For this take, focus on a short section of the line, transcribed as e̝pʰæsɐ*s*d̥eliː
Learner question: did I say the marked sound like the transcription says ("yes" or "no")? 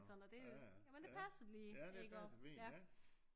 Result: no